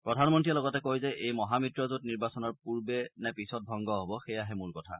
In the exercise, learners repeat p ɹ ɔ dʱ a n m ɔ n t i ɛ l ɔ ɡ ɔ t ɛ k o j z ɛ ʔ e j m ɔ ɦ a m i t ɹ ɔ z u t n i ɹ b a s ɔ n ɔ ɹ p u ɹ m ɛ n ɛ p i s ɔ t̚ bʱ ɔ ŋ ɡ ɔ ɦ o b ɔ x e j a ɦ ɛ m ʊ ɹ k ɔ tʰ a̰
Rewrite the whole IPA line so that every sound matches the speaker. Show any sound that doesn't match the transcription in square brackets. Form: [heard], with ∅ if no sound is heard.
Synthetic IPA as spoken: p ɹ ɔ dʱ a n m ɔ n t i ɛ l ɔ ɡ ɔ t ɛ k o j z ɛ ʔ e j m ɔ ɦ a m i t ɹ ɔ z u t n i ɹ b a s ɔ n ɔ ɹ p u ɹ [b] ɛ n ɛ p i s ɔ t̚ bʱ ɔ ŋ ɡ ɔ ɦ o b ɔ x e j a ɦ ɛ m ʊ ɹ k ɔ tʰ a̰